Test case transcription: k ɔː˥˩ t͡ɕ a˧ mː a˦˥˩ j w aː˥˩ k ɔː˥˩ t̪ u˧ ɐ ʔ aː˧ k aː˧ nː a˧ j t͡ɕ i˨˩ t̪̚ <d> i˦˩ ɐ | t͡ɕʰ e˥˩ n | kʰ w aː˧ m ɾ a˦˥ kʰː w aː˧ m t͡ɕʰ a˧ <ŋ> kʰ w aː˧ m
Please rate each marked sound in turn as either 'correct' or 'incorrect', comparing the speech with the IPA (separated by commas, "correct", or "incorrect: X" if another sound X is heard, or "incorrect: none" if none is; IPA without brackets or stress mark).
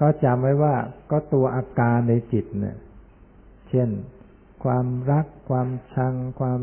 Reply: incorrect: n, correct